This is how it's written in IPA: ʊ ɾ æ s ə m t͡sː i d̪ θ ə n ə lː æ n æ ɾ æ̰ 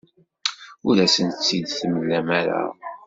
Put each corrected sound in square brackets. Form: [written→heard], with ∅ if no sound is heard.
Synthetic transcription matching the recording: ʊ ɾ æ s ə [m→n] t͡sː i d̪ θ ə [n→m] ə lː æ [n→m] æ ɾ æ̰